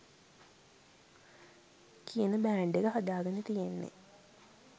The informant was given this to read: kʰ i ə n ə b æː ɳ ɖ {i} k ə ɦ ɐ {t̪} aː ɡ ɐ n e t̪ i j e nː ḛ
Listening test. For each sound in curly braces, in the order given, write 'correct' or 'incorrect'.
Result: incorrect: e, incorrect: d̪

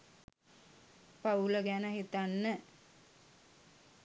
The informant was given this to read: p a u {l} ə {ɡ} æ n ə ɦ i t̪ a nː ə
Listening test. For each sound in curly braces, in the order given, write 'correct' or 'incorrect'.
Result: correct, correct

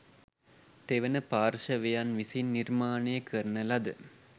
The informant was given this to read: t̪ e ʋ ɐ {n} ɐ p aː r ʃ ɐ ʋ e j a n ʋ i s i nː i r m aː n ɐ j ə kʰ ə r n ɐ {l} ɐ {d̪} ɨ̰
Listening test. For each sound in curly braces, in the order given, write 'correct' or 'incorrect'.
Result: correct, correct, correct

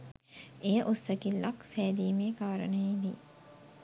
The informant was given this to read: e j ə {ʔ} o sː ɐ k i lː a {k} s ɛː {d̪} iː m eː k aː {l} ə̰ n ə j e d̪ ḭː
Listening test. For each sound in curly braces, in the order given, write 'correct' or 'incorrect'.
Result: correct, correct, correct, incorrect: ɾ

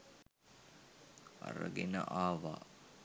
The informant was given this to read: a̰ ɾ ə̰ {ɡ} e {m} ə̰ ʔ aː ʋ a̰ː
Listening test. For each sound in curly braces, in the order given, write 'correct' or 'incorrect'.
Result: correct, incorrect: n

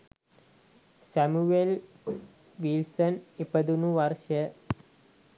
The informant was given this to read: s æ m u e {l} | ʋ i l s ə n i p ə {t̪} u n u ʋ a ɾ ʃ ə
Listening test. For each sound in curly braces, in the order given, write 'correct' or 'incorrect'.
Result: correct, incorrect: d̪

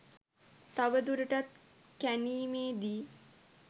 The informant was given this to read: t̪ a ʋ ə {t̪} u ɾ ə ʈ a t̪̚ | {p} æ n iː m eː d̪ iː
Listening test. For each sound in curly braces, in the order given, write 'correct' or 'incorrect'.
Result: incorrect: d̪, incorrect: k

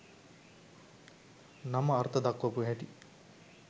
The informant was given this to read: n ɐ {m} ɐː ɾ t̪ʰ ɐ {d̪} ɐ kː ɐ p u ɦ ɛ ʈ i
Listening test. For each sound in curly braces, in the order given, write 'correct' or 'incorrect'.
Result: correct, correct

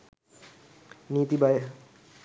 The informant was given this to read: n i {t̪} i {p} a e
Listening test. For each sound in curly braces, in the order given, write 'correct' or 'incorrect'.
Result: correct, incorrect: b

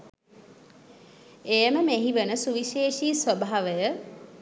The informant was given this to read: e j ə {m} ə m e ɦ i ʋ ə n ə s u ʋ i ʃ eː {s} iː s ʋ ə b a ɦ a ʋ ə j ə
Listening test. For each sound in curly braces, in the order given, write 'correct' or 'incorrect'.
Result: correct, incorrect: ʃ

